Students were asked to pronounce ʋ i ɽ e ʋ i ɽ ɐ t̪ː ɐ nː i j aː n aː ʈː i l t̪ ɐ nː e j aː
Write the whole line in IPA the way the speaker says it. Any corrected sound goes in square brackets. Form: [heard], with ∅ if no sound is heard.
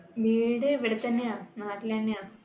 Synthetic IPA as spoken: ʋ [iː] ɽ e ʋ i ɽ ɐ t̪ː ɐ nː [e] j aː n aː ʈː i l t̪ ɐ nː e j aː